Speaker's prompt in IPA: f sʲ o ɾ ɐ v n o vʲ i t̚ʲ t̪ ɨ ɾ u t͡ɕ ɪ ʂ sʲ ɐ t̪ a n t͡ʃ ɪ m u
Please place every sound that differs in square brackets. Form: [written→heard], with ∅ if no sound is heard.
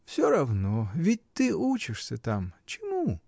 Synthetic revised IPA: f sʲ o ɾ ɐ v n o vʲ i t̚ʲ t̪ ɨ [ɾ→∅] u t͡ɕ ɪ ʂ sʲ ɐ t̪ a [n→m] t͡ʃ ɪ m u